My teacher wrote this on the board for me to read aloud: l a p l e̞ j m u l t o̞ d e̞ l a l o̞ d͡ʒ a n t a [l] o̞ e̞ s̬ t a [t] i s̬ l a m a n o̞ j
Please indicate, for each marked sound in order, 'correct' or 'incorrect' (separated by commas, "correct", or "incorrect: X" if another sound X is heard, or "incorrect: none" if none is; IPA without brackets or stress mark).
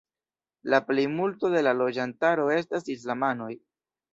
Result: incorrect: ɾ, incorrect: s